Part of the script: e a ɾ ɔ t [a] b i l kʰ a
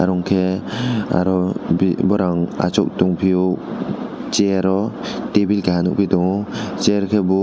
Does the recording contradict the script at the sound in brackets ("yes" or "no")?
yes